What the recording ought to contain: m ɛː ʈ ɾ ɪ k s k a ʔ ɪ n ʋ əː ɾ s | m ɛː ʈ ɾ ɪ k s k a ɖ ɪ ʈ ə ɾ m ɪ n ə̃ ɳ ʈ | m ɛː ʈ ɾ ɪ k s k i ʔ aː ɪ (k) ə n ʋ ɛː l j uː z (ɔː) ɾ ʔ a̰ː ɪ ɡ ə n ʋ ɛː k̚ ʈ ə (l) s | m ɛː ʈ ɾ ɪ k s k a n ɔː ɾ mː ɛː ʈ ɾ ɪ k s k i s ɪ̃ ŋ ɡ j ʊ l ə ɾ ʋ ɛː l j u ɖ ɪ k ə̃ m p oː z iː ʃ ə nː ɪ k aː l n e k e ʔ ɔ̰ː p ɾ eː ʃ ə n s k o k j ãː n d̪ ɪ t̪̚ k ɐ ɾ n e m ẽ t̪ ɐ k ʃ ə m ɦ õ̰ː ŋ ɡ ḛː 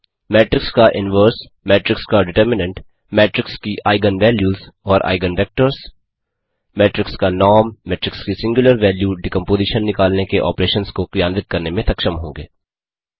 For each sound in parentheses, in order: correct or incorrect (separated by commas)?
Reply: incorrect, correct, incorrect